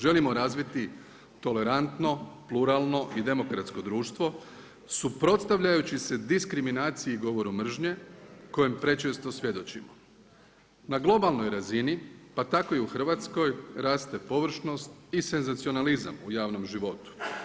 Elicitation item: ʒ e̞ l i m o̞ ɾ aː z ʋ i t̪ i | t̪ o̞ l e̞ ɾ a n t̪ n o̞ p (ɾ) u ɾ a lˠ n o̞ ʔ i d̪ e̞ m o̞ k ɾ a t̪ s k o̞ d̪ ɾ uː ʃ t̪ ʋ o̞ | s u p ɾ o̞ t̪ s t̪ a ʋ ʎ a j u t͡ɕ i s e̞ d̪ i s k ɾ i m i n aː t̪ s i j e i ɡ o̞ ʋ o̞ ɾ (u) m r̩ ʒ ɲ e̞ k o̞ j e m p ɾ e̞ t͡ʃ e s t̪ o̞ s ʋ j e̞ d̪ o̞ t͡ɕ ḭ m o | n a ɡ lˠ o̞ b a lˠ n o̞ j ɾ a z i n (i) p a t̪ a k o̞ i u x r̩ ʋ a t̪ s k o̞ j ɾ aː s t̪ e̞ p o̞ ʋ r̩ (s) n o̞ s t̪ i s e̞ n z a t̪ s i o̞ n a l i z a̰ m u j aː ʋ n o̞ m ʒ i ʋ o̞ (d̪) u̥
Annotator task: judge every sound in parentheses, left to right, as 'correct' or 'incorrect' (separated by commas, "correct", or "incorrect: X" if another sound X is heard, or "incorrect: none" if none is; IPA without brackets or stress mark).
incorrect: l, correct, correct, incorrect: ʃ, incorrect: t̪